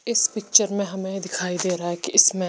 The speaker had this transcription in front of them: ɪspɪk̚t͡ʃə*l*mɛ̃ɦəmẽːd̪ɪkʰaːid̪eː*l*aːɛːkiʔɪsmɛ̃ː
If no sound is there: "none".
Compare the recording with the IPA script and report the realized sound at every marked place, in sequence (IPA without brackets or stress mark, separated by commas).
ɾ, ɾ